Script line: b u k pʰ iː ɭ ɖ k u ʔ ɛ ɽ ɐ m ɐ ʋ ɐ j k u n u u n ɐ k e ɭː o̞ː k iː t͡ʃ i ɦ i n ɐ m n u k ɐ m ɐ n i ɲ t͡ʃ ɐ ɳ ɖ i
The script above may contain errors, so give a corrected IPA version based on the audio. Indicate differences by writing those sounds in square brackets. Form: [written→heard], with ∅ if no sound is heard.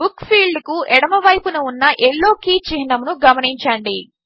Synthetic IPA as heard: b u k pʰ iː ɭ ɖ k u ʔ ɛ ɽ ɐ m ɐ ʋ ɐ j [k→p] u n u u [n→nː] ɐ [k→ʔ] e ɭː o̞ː k iː t͡ʃ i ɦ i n ɐ m n u [k→ɡ] ɐ m ɐ n i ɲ t͡ʃ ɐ ɳ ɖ i